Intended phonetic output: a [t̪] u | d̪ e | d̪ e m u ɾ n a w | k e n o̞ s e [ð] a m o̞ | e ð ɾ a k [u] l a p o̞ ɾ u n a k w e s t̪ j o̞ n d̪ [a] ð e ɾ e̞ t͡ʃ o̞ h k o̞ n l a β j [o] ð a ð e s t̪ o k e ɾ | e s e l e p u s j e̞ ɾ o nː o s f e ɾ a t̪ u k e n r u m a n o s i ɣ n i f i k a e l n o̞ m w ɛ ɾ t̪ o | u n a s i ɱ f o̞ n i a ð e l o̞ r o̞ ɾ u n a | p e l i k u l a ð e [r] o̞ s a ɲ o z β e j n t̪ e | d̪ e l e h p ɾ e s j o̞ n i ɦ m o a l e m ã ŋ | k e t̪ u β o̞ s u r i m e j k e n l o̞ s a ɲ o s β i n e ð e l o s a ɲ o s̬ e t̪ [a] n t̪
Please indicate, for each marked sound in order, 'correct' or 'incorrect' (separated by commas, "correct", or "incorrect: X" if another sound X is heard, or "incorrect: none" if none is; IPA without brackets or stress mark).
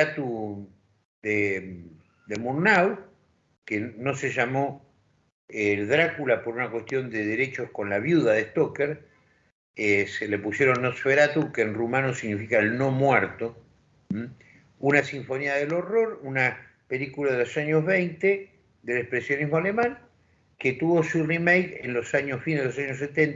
correct, incorrect: ʒ, correct, incorrect: e, incorrect: u, incorrect: l, incorrect: e